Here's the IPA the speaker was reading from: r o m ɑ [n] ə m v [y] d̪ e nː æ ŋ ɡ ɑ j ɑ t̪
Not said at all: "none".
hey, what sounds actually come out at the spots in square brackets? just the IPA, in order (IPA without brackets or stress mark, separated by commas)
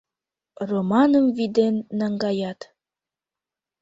n, i